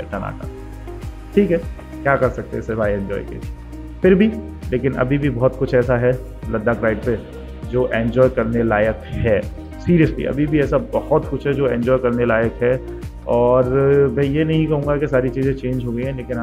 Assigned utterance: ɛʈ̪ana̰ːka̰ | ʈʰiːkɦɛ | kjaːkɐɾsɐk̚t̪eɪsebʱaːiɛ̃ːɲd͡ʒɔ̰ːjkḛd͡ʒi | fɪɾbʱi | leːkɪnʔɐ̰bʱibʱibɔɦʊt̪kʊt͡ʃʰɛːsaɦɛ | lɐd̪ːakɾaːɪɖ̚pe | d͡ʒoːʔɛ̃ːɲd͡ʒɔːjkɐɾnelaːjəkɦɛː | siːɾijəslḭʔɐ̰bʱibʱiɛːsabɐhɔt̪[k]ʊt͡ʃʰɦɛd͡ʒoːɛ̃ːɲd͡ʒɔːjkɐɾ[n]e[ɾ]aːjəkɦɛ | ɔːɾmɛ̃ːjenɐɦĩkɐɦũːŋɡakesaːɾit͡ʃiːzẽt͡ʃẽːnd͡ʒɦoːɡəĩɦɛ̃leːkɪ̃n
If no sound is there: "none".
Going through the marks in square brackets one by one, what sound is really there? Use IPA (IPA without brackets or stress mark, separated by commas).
k, n, l